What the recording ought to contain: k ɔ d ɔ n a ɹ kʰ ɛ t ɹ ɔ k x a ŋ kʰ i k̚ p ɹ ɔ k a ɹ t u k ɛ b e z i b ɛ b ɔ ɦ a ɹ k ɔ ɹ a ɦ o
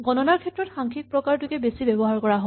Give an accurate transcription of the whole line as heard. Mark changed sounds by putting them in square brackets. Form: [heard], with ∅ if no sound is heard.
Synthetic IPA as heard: [ɡ] ɔ [n] ɔ n a ɹ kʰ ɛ t ɹ ɔ [t] x a ŋ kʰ i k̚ p ɹ ɔ k a ɹ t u k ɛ b e [s] i b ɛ b ɔ ɦ a ɹ k ɔ ɹ a ɦ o